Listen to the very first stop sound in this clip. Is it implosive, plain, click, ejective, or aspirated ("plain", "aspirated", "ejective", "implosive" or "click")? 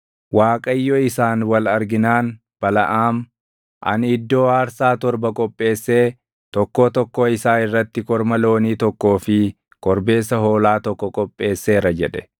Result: ejective